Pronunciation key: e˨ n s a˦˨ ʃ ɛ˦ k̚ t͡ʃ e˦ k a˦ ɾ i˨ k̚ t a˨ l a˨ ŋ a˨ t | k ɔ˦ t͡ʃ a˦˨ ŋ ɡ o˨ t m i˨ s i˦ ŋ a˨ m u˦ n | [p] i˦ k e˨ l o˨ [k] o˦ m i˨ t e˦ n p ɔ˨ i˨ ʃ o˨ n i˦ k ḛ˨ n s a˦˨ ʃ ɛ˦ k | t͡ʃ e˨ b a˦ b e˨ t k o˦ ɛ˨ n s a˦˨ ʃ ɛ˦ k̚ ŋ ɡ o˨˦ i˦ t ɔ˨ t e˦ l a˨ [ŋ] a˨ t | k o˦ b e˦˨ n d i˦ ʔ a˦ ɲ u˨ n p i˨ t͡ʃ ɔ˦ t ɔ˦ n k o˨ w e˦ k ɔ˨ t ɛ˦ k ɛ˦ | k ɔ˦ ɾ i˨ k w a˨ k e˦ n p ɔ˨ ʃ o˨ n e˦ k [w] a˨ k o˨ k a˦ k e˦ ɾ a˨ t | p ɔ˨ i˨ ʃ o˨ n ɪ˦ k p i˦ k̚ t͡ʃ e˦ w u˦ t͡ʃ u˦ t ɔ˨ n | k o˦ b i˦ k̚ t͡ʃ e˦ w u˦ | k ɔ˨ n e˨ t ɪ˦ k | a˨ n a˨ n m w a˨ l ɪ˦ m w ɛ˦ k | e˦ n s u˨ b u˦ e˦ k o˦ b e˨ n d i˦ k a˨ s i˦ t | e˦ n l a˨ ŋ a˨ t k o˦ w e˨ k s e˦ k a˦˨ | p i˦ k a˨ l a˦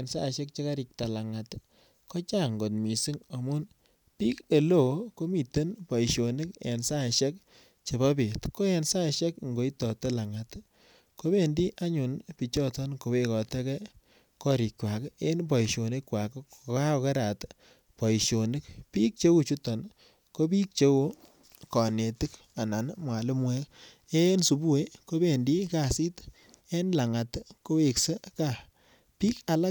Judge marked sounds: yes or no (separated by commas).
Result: yes, yes, yes, yes